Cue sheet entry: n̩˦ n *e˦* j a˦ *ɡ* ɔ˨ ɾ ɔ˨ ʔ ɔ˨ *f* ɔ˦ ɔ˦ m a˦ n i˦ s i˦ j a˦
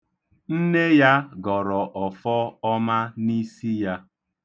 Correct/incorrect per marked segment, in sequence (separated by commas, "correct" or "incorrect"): correct, correct, correct